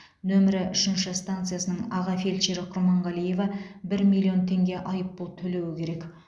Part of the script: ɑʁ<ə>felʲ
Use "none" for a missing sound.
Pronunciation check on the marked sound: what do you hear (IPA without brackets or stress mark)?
ɑ